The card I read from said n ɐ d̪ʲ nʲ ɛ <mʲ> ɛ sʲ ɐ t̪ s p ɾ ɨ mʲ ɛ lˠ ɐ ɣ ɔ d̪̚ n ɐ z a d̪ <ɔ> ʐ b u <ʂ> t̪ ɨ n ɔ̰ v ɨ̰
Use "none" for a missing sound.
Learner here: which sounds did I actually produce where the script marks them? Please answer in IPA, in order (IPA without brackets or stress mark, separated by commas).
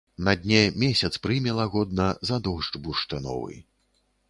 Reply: mʲ, ɔ, ʂ